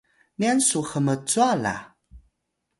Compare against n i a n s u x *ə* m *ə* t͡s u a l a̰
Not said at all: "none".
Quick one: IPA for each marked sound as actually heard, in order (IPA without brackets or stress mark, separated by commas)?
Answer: ə, ə